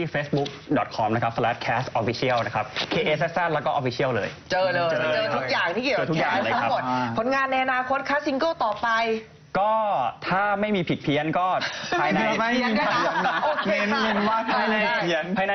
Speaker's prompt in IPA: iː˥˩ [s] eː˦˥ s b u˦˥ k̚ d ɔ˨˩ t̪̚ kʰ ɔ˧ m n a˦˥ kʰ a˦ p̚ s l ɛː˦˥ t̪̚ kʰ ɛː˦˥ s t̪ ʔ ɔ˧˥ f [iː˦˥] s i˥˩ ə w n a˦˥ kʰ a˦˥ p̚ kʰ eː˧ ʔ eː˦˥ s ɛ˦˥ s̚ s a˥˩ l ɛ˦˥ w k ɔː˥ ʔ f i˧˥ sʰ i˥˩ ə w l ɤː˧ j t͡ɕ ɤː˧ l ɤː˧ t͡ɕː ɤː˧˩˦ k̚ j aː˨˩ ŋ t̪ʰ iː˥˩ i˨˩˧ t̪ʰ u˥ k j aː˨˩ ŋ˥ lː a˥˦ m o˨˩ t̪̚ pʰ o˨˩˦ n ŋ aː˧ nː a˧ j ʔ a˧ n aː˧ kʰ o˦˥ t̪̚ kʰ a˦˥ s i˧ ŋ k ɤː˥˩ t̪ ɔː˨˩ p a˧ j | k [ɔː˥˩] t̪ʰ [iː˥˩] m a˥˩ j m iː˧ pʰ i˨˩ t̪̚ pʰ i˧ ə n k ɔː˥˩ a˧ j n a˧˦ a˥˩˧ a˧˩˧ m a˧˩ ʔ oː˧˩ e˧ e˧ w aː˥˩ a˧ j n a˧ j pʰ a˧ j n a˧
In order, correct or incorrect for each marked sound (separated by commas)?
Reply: incorrect, incorrect, correct, incorrect